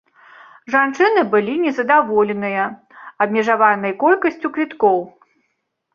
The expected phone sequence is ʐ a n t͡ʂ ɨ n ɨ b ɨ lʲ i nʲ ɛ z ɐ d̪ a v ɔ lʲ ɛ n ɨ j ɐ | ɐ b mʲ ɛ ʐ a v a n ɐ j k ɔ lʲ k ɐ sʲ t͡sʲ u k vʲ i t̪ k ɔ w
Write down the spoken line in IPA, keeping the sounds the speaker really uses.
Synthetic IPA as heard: ʐ a n t͡ʂ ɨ n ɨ b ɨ lʲ i nʲ ɛ z ɐ d̪ a v ɔ lʲ ɛ n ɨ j ɐ | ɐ b mʲ ɛ ʐ a v a n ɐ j k ɔ lʲ k ɐ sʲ t͡sʲ u k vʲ i t̪ k ɔ w